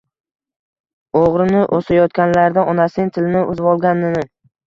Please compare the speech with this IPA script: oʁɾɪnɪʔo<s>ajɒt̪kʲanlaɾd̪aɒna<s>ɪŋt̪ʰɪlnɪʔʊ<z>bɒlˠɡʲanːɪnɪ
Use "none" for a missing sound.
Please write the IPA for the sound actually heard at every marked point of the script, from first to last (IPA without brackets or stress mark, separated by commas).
s, s, z